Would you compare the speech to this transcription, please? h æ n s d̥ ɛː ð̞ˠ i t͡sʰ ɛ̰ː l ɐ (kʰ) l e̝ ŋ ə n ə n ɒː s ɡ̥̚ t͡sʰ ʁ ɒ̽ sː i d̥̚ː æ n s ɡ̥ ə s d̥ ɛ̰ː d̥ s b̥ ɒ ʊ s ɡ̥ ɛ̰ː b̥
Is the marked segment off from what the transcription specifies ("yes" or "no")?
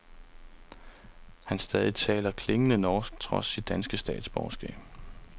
no